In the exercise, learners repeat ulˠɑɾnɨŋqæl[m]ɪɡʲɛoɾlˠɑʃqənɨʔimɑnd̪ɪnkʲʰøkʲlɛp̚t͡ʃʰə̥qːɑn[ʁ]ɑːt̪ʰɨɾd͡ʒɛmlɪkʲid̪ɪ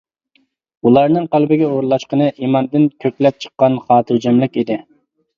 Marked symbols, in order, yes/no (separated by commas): no, no